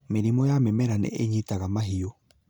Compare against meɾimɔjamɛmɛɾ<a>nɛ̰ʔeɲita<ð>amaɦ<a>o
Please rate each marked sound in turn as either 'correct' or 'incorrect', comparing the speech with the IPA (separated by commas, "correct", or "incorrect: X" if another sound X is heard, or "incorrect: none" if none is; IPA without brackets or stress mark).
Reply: correct, incorrect: ɣ, incorrect: i